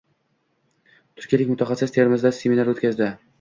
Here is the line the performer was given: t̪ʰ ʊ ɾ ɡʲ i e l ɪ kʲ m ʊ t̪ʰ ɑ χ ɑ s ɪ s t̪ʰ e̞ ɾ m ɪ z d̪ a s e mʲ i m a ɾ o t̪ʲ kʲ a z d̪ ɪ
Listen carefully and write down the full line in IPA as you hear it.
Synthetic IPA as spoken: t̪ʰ ʊ ɾ kʲ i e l ɪ kʲ m ʊ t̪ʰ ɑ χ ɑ s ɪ s t̪ʰ e̞ ɾ m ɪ z d̪ a s e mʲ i n a ɾ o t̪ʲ kʲ a z d̪ ɪ